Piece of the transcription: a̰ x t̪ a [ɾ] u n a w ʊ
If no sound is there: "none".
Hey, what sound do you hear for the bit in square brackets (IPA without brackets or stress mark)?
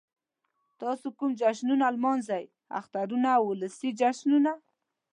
ɾ